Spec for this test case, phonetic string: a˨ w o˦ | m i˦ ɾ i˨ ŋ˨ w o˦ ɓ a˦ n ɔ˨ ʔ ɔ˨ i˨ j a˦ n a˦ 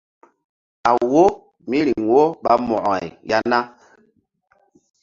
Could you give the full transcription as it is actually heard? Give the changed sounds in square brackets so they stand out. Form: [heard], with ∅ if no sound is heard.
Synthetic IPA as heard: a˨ w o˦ | m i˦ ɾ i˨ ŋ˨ w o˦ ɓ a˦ [m] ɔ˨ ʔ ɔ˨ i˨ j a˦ n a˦